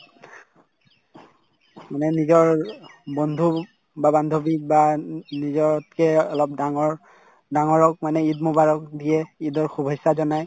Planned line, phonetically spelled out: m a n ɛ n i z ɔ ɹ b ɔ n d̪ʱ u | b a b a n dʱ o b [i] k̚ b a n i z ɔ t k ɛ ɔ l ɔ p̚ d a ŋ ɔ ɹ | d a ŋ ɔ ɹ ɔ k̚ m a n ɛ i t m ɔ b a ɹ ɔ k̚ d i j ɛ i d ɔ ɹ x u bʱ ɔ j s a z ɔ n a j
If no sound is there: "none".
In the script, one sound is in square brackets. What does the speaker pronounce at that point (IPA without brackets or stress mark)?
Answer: i